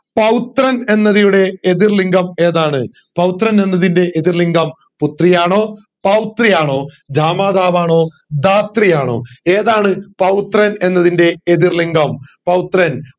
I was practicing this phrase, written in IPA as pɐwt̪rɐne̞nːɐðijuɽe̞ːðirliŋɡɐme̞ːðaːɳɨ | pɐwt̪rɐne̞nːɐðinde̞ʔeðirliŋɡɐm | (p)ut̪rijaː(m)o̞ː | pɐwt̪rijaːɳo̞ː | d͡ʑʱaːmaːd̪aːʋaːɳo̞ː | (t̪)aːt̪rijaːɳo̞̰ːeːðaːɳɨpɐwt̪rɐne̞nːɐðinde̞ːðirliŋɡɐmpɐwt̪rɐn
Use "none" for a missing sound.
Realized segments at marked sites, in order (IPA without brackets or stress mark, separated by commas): p, ɳ, d̪